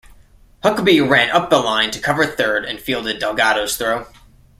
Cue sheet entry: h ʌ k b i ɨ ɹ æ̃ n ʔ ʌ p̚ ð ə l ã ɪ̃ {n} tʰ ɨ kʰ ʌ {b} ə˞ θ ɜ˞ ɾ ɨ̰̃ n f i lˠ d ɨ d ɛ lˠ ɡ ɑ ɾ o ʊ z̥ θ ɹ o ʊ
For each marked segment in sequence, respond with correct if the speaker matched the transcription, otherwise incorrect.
correct, incorrect

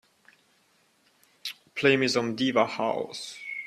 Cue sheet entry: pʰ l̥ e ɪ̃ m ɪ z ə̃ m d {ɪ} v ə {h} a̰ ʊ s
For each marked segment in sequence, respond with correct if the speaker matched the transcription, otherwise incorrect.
incorrect, correct

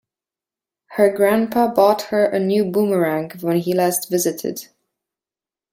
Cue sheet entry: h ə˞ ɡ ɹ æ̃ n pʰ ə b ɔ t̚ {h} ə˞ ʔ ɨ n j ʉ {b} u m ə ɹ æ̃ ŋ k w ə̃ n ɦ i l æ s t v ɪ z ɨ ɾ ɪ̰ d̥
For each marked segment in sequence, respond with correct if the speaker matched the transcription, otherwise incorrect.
correct, correct

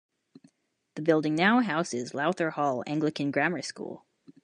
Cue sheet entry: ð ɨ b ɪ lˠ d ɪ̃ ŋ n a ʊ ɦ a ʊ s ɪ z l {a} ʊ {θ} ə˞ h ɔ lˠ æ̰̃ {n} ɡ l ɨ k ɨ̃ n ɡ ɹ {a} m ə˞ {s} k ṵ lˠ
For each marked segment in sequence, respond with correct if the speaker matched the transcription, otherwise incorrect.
correct, correct, incorrect, incorrect, correct

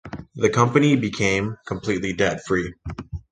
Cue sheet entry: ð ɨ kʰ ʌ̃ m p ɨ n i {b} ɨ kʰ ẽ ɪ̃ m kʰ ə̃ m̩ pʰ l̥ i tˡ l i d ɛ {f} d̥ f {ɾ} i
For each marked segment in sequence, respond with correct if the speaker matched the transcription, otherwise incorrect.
correct, incorrect, incorrect

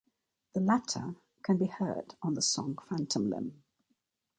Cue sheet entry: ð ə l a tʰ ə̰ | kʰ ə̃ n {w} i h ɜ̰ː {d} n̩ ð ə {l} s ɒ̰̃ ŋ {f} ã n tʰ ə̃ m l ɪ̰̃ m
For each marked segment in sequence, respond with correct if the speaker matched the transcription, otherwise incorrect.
incorrect, correct, incorrect, correct

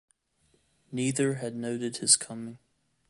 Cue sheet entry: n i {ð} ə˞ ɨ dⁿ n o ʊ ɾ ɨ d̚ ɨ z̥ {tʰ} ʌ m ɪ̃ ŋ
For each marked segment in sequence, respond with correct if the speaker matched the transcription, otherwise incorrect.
correct, incorrect

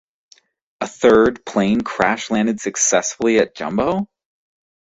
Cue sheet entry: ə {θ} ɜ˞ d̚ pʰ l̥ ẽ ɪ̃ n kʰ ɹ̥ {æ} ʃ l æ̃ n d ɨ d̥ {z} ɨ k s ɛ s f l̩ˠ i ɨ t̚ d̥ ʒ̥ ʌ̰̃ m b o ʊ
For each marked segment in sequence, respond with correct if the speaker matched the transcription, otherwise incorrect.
correct, correct, incorrect

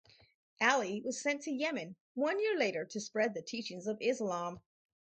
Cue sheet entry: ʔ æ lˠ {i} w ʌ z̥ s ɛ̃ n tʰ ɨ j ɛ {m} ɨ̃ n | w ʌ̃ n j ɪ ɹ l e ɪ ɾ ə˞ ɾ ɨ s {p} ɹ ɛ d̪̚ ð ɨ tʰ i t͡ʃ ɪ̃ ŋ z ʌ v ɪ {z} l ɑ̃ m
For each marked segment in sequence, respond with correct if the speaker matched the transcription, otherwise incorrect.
correct, correct, correct, correct

